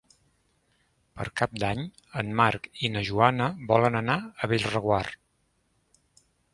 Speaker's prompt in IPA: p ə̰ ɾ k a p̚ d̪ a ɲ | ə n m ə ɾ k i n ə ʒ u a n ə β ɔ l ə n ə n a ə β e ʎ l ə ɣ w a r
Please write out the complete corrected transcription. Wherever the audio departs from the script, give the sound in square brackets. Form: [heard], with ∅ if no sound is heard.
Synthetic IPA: p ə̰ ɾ k a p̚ d̪ a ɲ | ə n m [a] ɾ k i n ə ʒ u a n ə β ɔ l ə n ə n a ə β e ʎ [r] ə ɣ w a r